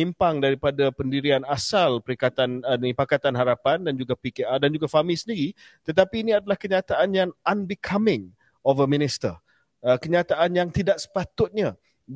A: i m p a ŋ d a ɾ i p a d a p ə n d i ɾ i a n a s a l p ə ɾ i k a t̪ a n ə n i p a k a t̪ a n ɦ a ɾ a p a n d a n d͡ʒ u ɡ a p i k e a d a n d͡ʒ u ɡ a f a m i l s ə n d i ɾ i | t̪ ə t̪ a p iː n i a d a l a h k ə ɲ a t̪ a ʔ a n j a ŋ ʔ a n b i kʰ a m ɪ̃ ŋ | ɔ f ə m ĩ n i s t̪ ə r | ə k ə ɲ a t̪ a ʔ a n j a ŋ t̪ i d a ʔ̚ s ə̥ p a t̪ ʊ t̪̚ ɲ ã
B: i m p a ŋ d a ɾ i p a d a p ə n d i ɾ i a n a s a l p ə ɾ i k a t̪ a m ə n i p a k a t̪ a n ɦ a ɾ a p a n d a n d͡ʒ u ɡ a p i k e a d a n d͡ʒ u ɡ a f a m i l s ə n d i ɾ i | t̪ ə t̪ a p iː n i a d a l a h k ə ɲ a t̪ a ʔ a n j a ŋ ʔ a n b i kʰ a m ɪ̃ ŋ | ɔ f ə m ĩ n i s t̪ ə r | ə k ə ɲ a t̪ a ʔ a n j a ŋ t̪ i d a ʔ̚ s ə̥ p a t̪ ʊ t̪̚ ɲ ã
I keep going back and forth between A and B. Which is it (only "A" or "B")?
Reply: A